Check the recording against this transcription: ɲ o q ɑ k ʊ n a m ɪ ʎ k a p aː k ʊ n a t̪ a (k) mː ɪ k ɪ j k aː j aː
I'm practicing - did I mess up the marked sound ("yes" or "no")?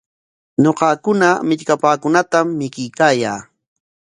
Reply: yes